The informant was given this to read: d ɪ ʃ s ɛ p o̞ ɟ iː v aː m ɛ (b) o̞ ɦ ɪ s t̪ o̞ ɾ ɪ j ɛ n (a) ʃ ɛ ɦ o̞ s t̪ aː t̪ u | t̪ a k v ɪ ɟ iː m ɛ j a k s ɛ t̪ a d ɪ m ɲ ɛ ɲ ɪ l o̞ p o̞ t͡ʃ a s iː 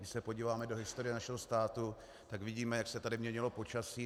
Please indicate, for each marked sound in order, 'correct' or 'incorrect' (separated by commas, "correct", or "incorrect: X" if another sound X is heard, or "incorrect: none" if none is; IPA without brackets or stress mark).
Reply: incorrect: d, correct